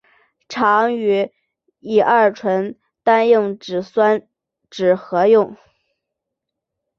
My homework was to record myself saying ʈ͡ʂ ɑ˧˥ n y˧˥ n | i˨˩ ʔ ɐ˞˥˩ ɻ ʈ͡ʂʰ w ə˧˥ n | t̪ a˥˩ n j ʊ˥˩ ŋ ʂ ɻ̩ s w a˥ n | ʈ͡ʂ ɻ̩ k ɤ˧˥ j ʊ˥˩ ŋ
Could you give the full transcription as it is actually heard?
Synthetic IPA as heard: ʈ͡ʂʰ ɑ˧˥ ŋ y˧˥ | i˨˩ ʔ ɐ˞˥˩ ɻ ʈ͡ʂʰ w ə˧˥ n | t̪ a˥ n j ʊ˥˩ ŋ ʈ͡ʂ ɻ̩ s w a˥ n | ʈ͡ʂ ɻ̩ x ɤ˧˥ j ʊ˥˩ ŋ